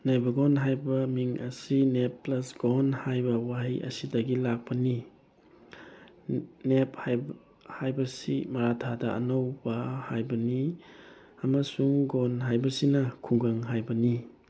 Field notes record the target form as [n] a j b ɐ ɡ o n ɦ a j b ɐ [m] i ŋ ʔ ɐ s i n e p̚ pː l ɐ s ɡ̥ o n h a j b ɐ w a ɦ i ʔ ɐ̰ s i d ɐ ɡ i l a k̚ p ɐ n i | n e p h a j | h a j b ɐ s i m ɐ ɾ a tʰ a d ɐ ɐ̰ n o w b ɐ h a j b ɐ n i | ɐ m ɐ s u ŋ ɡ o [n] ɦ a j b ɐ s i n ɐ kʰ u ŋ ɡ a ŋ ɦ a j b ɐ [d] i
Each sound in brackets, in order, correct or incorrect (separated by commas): correct, correct, correct, incorrect